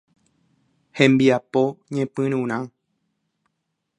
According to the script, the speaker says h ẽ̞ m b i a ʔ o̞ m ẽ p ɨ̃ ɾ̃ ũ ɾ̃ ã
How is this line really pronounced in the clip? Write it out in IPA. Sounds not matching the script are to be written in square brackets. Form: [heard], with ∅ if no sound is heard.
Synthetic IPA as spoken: h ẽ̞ m b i a [p] o̞ [ɲ] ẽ p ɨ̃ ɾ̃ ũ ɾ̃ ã